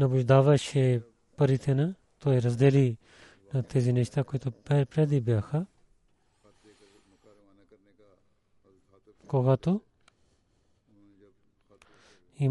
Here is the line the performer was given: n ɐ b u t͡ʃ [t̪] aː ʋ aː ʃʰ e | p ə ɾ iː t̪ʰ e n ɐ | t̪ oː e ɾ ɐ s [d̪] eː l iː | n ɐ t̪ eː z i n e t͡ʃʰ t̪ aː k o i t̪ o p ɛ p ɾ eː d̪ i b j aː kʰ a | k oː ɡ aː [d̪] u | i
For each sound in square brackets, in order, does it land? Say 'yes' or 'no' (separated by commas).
no, yes, no